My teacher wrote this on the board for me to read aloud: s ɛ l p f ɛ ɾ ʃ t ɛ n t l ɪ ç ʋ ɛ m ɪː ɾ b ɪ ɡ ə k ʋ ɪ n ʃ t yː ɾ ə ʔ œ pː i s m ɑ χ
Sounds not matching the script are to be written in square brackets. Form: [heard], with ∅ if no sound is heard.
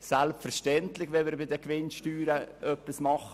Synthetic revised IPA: s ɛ l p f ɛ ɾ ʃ t ɛ n t l ɪ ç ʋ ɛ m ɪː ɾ b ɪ [d] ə k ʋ ɪ n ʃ t yː ɾ ə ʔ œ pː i s m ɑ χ